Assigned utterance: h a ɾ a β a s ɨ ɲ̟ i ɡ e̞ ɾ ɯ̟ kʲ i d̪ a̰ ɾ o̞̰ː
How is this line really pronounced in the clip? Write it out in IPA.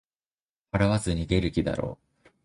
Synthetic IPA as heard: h a ɾ a β a z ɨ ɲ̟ i ɡ e̞ ɾ ɯ̟ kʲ i d̪ a̰ ɾ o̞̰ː